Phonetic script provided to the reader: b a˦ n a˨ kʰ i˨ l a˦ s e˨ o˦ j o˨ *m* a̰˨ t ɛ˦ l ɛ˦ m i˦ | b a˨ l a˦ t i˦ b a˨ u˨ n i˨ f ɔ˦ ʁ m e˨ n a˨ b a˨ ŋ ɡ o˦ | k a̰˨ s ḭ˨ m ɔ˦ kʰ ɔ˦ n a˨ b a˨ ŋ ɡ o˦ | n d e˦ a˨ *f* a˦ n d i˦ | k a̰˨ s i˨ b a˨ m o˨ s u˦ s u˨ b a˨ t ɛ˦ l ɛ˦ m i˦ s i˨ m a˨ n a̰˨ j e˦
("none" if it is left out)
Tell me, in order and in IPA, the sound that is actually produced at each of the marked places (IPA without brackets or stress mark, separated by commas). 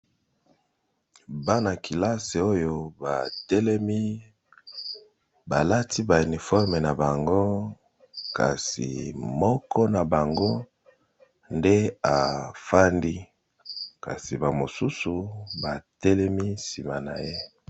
b, f